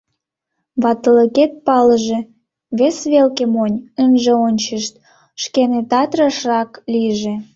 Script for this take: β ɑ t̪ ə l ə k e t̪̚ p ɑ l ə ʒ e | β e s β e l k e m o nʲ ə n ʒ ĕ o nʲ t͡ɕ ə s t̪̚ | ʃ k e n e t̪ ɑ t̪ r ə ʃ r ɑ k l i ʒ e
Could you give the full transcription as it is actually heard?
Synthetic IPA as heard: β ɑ t̪ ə l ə k e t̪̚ p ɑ l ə ʒ e | β e s β e l k e m o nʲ ə n ʒ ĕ o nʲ t͡ɕ ə ʃ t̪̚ | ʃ k e n e t̪ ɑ t̪ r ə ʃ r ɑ k l i ʒ e